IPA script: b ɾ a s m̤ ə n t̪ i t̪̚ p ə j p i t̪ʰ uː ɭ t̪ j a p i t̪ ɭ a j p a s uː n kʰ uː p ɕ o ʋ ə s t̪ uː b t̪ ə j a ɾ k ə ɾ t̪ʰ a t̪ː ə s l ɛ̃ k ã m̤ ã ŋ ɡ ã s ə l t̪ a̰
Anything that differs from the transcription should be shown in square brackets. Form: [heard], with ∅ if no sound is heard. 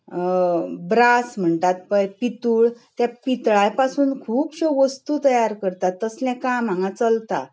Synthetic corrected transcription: b ɾ a s m̤ ə [ɳ] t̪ [a] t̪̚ p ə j p i [t̪] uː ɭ t̪ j a p i t̪ ɭ a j p a s uː n kʰ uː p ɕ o ʋ ə s t̪ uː [∅] t̪ ə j a ɾ k ə ɾ [t̪] a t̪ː ə s l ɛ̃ k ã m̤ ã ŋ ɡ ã [t͡s] ə l t̪ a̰